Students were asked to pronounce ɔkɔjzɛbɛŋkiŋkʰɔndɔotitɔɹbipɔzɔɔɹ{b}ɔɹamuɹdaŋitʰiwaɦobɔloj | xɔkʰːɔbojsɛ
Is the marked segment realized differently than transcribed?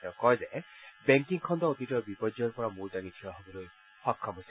yes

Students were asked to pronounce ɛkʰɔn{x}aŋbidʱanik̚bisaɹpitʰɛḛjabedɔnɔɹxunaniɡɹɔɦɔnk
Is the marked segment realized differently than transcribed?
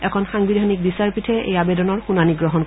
no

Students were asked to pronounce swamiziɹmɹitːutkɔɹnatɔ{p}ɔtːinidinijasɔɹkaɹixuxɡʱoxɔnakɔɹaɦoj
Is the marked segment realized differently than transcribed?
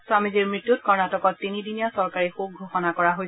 yes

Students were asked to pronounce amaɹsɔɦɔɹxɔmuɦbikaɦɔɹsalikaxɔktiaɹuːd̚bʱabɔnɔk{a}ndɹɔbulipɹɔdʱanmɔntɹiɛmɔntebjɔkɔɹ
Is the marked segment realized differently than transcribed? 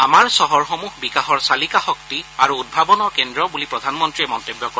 yes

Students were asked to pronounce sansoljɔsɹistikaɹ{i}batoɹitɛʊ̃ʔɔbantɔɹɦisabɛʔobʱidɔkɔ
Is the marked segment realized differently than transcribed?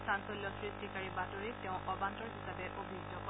no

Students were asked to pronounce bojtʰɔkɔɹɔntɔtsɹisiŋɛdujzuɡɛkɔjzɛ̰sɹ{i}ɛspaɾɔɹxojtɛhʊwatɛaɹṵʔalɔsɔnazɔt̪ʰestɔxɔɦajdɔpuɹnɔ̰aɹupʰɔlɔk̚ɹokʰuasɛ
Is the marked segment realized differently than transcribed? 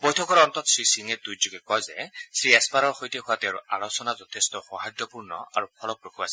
no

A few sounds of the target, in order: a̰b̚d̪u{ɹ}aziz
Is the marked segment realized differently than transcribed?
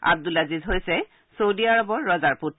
yes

